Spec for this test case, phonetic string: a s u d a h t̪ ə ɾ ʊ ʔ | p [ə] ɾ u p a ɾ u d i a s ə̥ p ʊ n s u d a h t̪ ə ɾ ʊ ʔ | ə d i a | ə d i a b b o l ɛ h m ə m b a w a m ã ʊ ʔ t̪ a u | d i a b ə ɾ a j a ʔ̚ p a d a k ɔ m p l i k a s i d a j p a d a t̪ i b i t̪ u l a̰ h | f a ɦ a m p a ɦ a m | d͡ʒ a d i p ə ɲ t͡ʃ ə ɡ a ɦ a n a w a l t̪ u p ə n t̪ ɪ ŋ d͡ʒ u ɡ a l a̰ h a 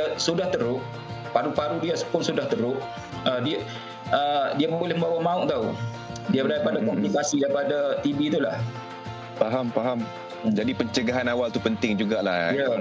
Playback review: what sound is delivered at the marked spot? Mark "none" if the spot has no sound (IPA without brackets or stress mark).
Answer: a